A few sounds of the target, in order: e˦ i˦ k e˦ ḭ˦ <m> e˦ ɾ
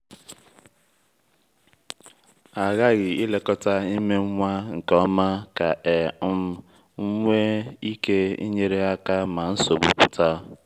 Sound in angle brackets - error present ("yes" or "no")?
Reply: yes